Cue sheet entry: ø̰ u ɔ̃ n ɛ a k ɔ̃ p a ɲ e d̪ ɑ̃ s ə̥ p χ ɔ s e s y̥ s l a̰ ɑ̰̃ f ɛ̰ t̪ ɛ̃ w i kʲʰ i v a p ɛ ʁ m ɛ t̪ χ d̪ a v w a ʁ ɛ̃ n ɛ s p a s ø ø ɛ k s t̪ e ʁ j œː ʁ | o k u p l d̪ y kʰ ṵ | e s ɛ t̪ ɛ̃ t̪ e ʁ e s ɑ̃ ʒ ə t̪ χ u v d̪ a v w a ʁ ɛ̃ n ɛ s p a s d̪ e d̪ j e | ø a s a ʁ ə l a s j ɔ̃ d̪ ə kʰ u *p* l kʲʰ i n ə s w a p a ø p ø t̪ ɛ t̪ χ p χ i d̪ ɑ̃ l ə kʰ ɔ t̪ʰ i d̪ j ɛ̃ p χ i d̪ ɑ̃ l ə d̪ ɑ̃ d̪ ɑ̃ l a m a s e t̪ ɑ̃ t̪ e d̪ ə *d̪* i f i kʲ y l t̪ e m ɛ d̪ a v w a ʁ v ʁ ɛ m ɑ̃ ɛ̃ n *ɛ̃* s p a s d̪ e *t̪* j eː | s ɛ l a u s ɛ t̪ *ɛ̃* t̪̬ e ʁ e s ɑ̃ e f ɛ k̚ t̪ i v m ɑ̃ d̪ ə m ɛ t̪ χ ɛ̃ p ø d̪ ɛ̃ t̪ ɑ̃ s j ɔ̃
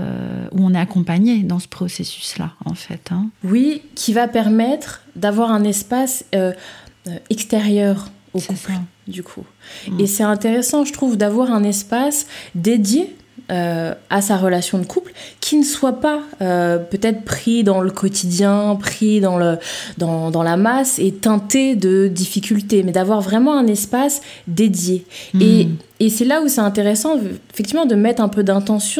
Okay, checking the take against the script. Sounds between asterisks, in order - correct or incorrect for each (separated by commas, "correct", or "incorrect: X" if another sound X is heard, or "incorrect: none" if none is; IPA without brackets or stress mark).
correct, correct, incorrect: ɛ, incorrect: d̪, correct